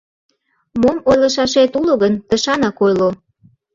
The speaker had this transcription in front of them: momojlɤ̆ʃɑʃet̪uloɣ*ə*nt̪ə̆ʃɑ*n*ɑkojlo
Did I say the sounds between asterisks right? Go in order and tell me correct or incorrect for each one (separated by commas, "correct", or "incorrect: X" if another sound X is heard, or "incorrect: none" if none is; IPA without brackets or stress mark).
correct, correct